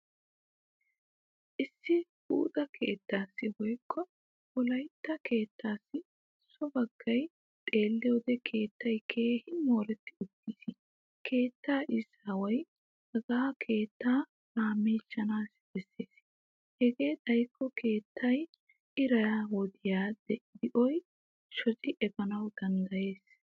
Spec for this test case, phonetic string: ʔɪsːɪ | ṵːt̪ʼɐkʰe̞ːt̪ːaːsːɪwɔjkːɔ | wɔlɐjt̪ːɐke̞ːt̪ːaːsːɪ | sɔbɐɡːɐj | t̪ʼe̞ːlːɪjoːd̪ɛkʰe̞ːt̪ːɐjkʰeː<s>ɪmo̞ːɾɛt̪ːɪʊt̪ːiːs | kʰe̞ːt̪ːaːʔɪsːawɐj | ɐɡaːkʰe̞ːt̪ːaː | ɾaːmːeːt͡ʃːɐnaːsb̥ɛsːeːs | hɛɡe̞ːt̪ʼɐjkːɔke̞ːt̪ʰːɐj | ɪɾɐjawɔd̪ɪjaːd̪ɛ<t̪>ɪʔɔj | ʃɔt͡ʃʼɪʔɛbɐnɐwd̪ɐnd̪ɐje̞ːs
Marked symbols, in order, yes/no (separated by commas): no, no